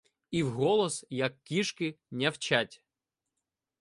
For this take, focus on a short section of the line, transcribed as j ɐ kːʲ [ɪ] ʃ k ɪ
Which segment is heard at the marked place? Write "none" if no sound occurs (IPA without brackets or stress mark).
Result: i